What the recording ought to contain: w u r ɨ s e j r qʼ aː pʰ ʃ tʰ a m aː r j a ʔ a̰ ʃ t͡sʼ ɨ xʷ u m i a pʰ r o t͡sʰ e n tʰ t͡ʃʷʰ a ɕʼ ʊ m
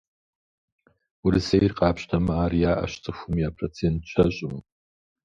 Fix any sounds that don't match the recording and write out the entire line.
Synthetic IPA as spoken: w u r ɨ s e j r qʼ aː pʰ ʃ tʰ a m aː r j a ʔ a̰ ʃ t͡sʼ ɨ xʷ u m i a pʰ r o t͡sʰ e n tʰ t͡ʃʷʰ a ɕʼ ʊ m